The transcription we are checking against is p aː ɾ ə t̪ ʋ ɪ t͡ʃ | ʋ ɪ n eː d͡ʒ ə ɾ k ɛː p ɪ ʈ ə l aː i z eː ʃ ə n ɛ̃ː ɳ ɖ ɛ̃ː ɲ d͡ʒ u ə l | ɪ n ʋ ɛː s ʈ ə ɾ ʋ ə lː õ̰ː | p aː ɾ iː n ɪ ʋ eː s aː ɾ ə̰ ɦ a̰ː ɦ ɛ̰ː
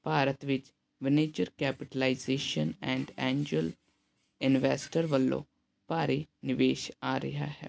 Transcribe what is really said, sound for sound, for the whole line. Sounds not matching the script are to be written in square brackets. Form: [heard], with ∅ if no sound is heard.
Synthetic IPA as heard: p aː ɾ ə t̪ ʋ ɪ t͡ʃ | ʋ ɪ n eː d͡ʒ ə ɾ k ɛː p ɪ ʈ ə l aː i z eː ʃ ə n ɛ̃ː ɳ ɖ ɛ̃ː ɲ d͡ʒ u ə l | ɪ n ʋ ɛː s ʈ ə ɾ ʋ ə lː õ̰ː | p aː ɾ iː n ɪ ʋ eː [ʃ] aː ɾ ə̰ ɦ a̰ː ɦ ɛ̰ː